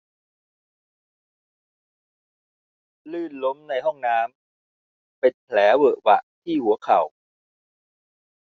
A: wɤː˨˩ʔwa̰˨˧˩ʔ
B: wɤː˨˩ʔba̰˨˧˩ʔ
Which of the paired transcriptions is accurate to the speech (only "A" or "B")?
A